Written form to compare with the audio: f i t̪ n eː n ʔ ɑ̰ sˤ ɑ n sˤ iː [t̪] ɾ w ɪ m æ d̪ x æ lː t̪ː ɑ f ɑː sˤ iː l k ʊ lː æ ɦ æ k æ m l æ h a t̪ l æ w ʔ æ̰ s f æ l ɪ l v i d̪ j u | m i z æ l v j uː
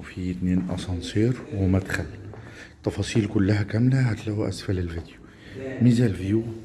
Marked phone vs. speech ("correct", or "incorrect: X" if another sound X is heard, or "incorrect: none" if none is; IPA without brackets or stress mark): incorrect: none